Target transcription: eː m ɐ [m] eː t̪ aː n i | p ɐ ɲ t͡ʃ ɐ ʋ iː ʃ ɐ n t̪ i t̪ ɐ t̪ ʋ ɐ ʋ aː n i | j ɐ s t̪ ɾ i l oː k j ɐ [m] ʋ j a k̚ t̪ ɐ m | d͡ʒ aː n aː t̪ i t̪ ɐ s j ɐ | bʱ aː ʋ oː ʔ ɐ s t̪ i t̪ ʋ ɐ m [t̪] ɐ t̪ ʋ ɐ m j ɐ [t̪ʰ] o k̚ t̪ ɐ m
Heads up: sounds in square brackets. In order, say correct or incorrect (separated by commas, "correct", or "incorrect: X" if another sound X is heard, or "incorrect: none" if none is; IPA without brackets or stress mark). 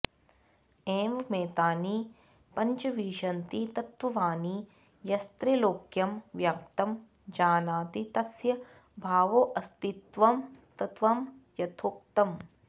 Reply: correct, correct, correct, correct